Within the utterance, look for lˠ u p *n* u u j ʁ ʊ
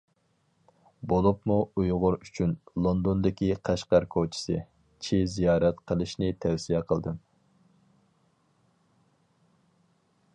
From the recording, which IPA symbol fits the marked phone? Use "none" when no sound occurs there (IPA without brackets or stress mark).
m